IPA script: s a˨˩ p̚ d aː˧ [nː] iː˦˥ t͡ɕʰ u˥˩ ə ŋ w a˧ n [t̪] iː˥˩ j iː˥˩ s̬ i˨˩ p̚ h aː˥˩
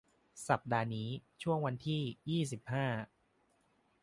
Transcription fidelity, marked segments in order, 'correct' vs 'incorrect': incorrect: n, incorrect: t̪ʰ

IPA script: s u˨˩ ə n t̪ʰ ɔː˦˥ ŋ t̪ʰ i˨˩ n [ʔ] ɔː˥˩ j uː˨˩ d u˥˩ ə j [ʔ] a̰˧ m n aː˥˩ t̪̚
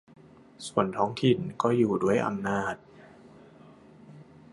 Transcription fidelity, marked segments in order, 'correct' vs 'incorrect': incorrect: k, correct

